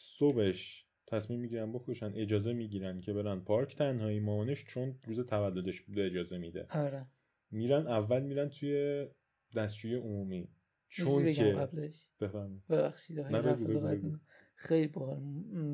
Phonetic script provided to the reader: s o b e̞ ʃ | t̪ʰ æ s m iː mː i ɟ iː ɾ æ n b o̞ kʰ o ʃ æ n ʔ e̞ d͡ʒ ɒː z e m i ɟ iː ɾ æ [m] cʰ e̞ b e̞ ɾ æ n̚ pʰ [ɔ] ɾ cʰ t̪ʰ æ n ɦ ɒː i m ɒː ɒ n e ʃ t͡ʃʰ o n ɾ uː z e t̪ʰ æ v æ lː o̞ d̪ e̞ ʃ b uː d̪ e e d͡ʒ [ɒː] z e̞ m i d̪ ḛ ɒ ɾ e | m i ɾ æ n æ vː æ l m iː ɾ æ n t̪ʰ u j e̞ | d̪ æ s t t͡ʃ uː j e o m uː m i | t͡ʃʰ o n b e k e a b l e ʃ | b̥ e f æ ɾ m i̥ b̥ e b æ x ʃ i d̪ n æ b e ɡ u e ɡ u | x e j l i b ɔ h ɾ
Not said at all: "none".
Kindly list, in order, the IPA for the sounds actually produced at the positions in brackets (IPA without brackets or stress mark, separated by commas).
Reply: n, ɒ, ɒː